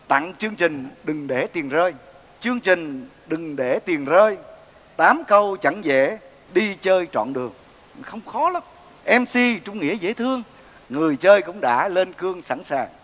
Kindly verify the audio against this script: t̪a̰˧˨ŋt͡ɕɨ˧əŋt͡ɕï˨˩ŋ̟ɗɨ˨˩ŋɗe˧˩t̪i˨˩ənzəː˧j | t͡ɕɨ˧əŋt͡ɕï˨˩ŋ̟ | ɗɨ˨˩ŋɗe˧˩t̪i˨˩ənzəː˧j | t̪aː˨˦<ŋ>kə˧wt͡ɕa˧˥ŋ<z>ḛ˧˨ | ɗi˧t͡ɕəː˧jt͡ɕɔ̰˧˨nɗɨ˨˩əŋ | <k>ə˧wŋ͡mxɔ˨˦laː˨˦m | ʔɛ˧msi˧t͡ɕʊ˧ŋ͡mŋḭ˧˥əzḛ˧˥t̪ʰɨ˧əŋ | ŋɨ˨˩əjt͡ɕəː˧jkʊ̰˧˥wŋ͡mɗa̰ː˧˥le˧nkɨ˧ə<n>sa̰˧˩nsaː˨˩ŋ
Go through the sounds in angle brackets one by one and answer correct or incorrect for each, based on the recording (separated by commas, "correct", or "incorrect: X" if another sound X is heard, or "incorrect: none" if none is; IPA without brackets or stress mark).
incorrect: m, correct, incorrect: x, incorrect: ŋ